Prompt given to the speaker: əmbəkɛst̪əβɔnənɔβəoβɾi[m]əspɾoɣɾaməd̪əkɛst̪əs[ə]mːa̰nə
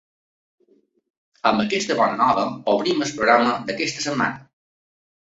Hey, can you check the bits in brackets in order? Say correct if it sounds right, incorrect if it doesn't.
correct, correct

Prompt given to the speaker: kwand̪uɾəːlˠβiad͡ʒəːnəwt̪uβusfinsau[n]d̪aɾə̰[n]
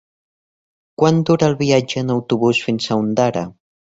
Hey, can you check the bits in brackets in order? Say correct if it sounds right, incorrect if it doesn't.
correct, incorrect

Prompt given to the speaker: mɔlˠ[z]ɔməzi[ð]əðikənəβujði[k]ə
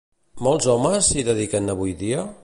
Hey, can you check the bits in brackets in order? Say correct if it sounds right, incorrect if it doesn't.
correct, correct, incorrect

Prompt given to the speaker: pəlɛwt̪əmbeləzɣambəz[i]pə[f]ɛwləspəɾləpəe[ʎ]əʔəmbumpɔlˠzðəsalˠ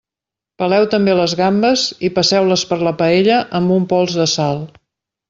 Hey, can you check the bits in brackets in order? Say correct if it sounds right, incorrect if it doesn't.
correct, incorrect, correct

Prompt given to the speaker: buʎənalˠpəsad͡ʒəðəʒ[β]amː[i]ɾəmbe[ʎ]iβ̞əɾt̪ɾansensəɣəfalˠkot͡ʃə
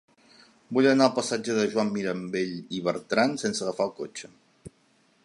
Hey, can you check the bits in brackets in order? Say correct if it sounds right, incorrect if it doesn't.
incorrect, correct, correct

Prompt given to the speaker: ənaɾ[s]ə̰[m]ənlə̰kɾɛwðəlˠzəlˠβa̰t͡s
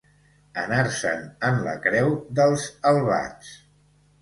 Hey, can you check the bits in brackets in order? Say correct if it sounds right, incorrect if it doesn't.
correct, incorrect

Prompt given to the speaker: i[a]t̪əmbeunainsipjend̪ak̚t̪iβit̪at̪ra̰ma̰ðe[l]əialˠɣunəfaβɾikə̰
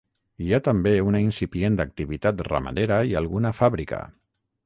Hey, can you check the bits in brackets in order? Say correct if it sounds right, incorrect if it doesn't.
correct, incorrect

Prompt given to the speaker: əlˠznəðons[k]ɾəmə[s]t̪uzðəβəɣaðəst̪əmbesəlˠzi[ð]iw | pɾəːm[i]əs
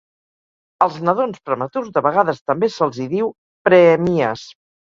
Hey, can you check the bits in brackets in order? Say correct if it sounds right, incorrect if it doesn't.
incorrect, incorrect, correct, correct

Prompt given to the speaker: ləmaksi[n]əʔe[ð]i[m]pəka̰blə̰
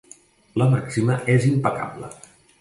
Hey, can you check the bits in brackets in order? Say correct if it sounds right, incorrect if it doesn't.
incorrect, incorrect, correct

